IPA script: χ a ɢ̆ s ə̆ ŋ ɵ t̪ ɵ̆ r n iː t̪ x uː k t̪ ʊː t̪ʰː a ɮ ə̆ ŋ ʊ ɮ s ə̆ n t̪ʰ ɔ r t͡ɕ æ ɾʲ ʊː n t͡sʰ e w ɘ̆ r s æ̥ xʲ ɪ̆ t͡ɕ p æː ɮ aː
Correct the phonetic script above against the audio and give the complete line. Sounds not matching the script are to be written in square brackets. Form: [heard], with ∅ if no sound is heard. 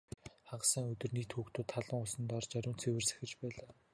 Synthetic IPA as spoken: χ a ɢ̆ s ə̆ ŋ ɵ t̪ ɵ̆ r n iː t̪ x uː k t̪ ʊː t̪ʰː a ɮ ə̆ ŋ ʊ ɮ s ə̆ n [t̪] ɔ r t͡ɕ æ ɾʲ ʊː n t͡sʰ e w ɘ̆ r s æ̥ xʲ ɪ̆ t͡ɕ p æː ɮ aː